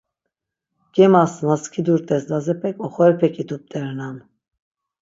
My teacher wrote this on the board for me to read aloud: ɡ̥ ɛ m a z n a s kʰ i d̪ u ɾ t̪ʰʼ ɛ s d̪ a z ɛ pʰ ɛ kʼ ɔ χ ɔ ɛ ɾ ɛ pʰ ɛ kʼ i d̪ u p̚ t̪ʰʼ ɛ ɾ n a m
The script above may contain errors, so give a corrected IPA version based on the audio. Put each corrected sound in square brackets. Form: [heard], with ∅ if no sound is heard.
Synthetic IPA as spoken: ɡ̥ ɛ m a [s] n a s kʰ i d̪ u ɾ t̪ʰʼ ɛ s d̪ a z ɛ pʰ ɛ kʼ ɔ χ ɔ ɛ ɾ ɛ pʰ ɛ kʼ i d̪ u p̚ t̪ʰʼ ɛ ɾ n a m